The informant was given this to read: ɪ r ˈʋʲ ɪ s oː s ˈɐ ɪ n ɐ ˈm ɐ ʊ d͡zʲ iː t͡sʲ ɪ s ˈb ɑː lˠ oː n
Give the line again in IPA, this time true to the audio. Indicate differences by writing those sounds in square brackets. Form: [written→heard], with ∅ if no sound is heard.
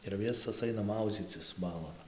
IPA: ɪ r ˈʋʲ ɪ s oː s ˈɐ ɪ n ɐ ˈm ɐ ʊ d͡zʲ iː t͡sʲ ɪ s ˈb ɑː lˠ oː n